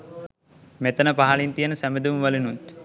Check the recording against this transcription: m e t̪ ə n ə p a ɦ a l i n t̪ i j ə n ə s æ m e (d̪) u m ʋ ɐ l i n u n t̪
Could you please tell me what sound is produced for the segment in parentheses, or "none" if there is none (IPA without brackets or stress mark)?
d̪